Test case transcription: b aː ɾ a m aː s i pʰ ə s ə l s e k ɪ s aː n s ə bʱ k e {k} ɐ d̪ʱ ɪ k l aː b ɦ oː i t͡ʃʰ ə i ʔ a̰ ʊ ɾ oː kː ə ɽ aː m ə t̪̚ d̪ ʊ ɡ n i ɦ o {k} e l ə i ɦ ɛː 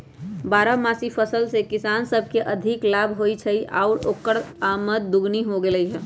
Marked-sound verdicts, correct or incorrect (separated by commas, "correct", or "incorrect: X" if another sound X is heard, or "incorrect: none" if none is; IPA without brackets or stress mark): incorrect: ʔ, incorrect: ɡ